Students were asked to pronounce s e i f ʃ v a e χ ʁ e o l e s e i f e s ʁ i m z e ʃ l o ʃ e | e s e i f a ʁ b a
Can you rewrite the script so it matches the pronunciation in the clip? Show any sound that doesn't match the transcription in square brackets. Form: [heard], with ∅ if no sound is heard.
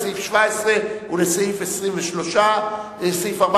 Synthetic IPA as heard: s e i f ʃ v a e [s] ʁ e [u] l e s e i f e s ʁ i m [v] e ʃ l o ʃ [a] | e s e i f a ʁ b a